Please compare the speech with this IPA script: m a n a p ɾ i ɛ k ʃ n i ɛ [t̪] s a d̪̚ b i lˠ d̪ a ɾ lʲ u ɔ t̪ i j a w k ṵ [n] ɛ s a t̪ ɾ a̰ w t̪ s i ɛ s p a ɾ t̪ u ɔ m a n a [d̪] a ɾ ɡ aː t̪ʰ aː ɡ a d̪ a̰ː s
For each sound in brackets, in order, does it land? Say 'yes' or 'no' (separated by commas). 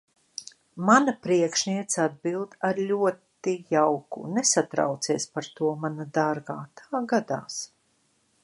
yes, yes, yes